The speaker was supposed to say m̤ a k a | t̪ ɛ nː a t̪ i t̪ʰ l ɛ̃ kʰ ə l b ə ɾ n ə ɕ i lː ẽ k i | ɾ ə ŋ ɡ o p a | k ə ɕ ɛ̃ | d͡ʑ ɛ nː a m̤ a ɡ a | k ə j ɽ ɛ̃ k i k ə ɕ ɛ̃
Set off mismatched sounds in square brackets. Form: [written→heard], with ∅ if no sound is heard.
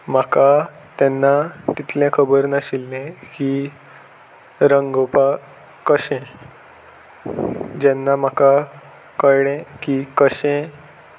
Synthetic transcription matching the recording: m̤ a k a | t̪ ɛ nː a t̪ i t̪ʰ l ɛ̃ kʰ ə [l→∅] b ə ɾ n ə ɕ i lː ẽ k i | ɾ ə ŋ ɡ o p a | k ə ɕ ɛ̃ | d͡ʑ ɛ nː a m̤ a [ɡ→k] a | k ə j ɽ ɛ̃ k i k ə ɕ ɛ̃